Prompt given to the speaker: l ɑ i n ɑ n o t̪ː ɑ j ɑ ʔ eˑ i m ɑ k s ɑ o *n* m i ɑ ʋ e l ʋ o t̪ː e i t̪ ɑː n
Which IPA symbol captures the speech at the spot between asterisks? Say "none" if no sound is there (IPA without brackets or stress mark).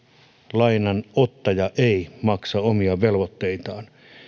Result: none